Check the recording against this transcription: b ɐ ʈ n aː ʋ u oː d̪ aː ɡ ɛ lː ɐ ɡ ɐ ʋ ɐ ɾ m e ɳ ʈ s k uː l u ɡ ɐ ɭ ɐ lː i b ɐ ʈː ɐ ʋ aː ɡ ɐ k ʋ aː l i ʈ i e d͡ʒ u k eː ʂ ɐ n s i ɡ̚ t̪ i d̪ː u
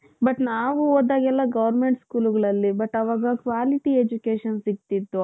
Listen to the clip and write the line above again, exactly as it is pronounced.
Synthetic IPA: b ɐ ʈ n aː ʋ u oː d̪ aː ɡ ɛ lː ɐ ɡ ɐ ʋ ɐ ɾ m e ɳ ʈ s k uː l u ɡ ɐ ɭ ɐ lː i b ɐ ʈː ɐ ʋ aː ɡ ɐ k ʋ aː l i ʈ i e d͡ʒ u k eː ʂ ɐ n s i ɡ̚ t̪ i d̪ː u